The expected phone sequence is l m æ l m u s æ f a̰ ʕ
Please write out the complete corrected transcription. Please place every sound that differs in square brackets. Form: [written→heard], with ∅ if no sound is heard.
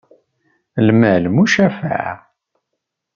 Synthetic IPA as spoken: l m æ l m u [s→ʃ] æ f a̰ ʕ